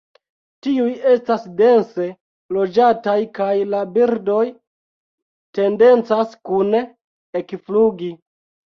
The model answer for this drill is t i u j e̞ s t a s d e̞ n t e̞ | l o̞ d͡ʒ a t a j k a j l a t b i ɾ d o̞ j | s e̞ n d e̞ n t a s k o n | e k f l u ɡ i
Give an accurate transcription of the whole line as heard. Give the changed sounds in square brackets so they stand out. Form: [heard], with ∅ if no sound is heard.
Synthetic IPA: t i u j e̞ s t a s d e̞ n [s] e̞ | l o̞ d͡ʒ a t a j k a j l a [∅] b i ɾ d o̞ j | [t] e̞ n d e̞ n [t͡s] a s k [u] n | e k f l u ɡ i

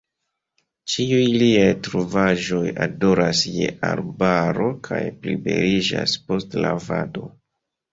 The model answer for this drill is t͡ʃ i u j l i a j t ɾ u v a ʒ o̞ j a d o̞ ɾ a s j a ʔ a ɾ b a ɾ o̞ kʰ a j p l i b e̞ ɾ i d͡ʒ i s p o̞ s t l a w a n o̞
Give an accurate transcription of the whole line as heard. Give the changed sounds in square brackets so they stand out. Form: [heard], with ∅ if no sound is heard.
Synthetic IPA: t͡ʃ i u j l i a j t ɾ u v a ʒ o̞ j a d o̞ ɾ a s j [e] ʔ a ɾ b a ɾ o̞ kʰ a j p l i b e̞ ɾ i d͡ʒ [a] s p o̞ s t l a [v] a [d] o̞

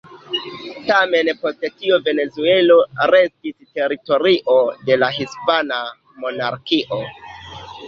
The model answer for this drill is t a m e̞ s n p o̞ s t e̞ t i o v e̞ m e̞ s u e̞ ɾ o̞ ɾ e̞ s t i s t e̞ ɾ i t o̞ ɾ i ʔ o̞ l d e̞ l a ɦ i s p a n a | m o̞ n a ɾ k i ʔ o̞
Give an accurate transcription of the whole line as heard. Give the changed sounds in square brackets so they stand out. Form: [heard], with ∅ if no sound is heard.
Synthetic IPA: t a m e̞ [∅] n p o̞ s t e̞ t i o v e̞ [n] e̞ [z] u e̞ [l] o̞ ɾ e̞ s t i s t e̞ ɾ i t o̞ ɾ i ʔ o̞ [∅] d e̞ l a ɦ i s p a n a | m o̞ n a ɾ k i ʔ o̞

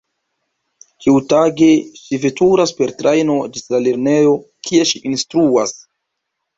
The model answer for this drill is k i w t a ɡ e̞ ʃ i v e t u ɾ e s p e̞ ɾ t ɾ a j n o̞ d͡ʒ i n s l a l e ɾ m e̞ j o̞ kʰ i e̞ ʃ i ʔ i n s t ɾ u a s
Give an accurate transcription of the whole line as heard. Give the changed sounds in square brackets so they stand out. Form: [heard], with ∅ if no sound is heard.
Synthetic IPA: k i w t a ɡ e̞ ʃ i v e t u ɾ [a] s p e̞ ɾ t ɾ a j n o̞ d͡ʒ i [∅] s l a l e ɾ [n] e̞ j o̞ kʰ i e̞ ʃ i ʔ i n s t ɾ u a s

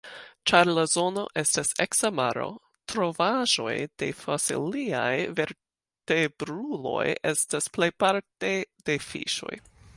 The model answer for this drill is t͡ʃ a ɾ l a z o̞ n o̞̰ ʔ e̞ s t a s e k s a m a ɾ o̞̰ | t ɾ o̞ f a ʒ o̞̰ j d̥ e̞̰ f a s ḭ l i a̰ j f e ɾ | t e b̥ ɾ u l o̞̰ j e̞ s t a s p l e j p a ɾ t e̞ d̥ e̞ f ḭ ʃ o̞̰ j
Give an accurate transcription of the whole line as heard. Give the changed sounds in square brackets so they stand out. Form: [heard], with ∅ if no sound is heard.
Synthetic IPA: t͡ʃ a ɾ l a z o̞ n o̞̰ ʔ e̞ s t a s e k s a m a ɾ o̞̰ | t ɾ o̞ [v] a ʒ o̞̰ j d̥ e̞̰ f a s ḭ l i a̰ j [v] e ɾ | t e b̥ ɾ u l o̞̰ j e̞ s t a s p l e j p a ɾ t e̞ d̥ e̞ f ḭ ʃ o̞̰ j

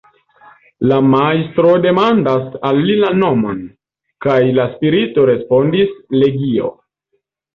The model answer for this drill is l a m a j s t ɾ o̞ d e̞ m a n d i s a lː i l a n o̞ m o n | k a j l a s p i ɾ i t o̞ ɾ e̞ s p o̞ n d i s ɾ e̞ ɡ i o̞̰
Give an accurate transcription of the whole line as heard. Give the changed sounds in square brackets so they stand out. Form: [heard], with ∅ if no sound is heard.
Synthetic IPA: l a m a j s t ɾ o̞ d e̞ m a n d [a] s a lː i l a n o̞ m o n | k a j l a s p i ɾ i t o̞ ɾ e̞ s p o̞ n d i s [l] e̞ ɡ i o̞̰

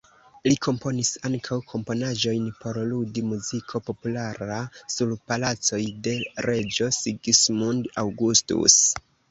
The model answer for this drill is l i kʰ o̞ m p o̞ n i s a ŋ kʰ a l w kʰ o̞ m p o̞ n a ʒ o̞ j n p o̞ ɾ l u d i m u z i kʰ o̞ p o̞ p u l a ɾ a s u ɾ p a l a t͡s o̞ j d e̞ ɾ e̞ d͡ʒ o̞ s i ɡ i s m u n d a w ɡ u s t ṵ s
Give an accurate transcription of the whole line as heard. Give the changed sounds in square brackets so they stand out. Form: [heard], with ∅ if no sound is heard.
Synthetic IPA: l i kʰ o̞ m p o̞ n i s a ŋ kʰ a [∅] w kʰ o̞ m p o̞ n a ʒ o̞ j n p o̞ ɾ l u d i m u z i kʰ o̞ p o̞ p u l a ɾ a s u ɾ p a l a t͡s o̞ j d e̞ ɾ e̞ d͡ʒ o̞ s i ɡ i s m u n d a w ɡ u s t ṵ s

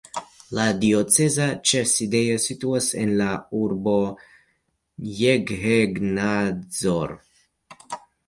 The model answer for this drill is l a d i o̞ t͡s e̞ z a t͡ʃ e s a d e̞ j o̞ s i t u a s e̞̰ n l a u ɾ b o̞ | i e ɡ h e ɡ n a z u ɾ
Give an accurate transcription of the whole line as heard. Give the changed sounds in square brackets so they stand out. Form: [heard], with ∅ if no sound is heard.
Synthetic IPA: l a d i o̞ t͡s e̞ z a t͡ʃ e s [i] d e̞ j o̞ s i t u a s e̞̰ n l a u ɾ b o̞ | [j] e ɡ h e ɡ n a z [o] ɾ

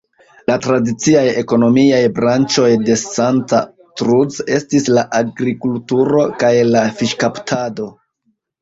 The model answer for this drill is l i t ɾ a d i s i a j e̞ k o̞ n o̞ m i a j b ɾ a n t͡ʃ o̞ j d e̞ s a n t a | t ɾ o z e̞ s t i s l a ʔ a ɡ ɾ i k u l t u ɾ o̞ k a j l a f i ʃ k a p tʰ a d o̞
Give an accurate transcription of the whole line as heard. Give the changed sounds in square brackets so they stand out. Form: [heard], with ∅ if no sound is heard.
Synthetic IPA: l [a] t ɾ a d i [t͡s] i a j e̞ k o̞ n o̞ m i a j b ɾ a n t͡ʃ o̞ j d e̞ s a n t a | t ɾ [u] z e̞ s t i s l a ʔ a ɡ ɾ i k u l t u ɾ o̞ k a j l a f i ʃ k a p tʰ a d o̞

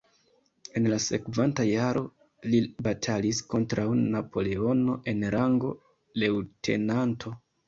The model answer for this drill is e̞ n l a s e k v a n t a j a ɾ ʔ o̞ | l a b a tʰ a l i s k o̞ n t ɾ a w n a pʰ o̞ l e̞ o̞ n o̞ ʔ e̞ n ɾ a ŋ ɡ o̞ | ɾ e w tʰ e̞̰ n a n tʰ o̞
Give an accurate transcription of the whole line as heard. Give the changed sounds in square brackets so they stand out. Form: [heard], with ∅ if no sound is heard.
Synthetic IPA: e̞ n l a s e k v a n t a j a ɾ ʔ o̞ | l [i] b a tʰ a l i s k o̞ n t ɾ a w n a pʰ o̞ l e̞ o̞ n o̞ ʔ e̞ n ɾ a ŋ ɡ o̞ | [l] e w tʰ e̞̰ n a n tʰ o̞

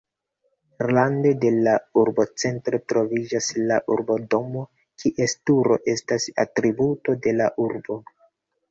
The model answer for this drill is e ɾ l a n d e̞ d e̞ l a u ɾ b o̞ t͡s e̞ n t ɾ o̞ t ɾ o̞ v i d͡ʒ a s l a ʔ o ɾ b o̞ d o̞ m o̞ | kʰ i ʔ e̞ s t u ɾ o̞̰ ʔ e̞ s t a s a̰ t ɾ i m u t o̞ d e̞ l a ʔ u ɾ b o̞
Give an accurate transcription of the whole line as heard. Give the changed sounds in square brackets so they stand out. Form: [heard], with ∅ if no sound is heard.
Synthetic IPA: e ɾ l a n d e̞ d e̞ l a u ɾ b o̞ t͡s e̞ n t ɾ o̞ t ɾ o̞ v i d͡ʒ a s l a ʔ [u] ɾ b o̞ d o̞ m o̞ | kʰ i ʔ e̞ s t u ɾ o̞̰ ʔ e̞ s t a s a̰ t ɾ i [b] u t o̞ d e̞ l a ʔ u ɾ b o̞

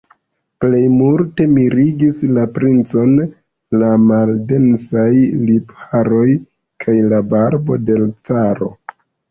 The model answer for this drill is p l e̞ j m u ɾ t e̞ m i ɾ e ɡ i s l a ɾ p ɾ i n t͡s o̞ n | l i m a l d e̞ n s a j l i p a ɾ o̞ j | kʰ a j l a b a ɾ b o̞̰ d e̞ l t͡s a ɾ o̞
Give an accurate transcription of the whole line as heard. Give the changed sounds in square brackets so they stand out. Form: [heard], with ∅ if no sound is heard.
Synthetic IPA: p l e̞ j m u ɾ t e̞ m i ɾ [i] ɡ i s l a [∅] p ɾ i n t͡s o̞ n | l [a] m a l d e̞ n s a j l i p a ɾ o̞ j | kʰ a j l a b a ɾ b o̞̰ d e̞ l t͡s a ɾ o̞

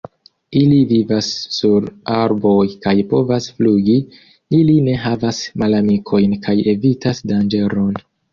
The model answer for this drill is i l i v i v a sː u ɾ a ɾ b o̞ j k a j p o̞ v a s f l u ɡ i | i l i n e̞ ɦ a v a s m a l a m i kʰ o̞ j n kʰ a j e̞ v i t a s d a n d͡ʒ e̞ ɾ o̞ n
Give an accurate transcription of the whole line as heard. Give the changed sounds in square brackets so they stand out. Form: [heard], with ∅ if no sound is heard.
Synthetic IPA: i l i v i v a sː u ɾ a ɾ b o̞ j k a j p o̞ v a s f l u ɡ i | i l i n e̞ ɦ a v a s m a l a m i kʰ o̞ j n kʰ a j e̞ v i t a s d a n d͡ʒ e̞ ɾ o̞ n

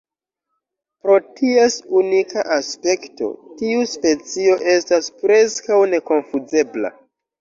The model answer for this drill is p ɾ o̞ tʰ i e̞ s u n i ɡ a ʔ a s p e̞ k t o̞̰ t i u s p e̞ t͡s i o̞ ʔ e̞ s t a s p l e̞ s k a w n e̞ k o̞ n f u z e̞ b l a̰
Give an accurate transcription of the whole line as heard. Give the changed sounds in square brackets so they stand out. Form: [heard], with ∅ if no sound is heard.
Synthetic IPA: p ɾ o̞ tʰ i e̞ s u n i [k] a ʔ a s p e̞ k t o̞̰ t i u s p e̞ t͡s i o̞ ʔ e̞ s t a s p [ɾ] e̞ s k a w n e̞ k o̞ n f u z e̞ b l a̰

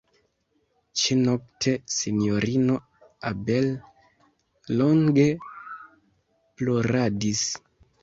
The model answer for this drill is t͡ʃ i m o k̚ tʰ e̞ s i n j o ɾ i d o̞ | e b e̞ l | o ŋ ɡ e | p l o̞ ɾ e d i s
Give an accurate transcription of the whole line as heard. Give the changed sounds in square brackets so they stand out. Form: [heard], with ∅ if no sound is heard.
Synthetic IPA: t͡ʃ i [n] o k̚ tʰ e̞ s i n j o ɾ i [n] o̞ | [a] b e̞ l | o ŋ ɡ e | p l o̞ ɾ [a] d i s

